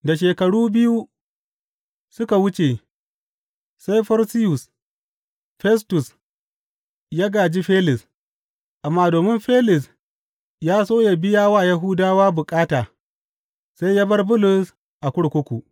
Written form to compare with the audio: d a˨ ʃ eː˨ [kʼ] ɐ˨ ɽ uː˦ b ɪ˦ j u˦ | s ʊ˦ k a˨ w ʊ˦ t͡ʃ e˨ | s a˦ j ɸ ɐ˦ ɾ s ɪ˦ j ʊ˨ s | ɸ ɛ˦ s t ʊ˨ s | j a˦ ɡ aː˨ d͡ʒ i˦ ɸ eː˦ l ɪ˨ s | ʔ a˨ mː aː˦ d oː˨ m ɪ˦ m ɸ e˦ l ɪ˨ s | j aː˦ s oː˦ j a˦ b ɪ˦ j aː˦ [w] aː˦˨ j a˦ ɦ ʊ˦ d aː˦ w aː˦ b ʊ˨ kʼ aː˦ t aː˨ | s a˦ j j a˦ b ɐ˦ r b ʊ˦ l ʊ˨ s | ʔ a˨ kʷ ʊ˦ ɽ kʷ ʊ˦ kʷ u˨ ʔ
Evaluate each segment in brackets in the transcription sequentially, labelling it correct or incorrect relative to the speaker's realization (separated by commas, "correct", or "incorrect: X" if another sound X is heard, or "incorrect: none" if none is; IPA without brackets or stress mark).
incorrect: k, correct